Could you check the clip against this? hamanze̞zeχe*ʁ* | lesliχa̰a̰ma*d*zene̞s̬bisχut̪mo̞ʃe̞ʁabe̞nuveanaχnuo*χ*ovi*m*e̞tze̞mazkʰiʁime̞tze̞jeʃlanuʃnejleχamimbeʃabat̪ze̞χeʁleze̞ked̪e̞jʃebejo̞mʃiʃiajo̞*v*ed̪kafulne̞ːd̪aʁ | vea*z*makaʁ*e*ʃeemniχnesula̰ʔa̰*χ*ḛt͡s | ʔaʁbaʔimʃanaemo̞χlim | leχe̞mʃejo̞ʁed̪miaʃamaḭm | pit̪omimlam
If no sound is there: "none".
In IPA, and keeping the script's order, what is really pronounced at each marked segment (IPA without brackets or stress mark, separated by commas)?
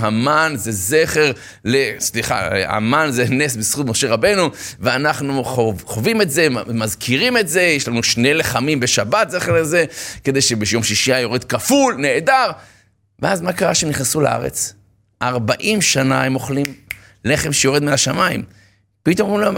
ʁ, n, χ, m, ʁ, z, a, ʁ